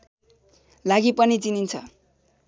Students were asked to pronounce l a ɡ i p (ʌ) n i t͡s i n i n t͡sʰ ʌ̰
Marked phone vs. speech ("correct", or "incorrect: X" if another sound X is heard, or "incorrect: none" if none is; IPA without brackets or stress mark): correct